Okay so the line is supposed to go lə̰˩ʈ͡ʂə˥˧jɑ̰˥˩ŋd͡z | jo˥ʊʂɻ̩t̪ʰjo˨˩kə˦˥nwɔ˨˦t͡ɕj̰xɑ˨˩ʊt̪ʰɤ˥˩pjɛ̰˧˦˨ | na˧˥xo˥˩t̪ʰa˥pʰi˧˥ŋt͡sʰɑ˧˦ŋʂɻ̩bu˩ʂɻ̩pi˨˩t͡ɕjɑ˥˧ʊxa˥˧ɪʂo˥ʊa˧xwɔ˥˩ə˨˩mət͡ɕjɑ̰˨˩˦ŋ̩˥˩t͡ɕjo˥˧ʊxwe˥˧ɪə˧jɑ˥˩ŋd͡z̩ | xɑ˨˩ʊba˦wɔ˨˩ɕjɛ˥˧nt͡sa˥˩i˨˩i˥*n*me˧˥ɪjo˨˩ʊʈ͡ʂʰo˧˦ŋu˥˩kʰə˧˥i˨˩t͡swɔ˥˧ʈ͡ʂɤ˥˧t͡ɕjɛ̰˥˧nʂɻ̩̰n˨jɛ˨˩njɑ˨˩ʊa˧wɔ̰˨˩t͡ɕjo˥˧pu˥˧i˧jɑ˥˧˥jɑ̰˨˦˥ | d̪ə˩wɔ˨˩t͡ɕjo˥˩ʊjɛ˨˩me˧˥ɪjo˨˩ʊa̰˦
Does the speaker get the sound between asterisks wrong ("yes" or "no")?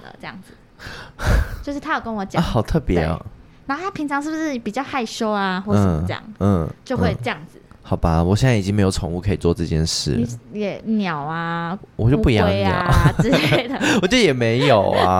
yes